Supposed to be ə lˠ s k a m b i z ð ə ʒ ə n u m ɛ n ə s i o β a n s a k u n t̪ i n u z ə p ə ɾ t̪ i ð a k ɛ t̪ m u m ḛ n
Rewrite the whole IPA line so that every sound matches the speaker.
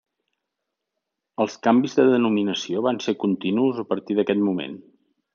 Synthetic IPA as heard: ə lˠ s k a m b i z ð ə ð ə n u m i n ə s i o β a n s e k u n t̪ i n u z ə p ə ɾ t̪ i ð ə k ɛ t̪ m u m ḛ n